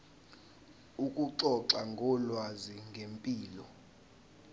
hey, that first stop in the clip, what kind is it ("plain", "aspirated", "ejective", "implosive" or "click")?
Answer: ejective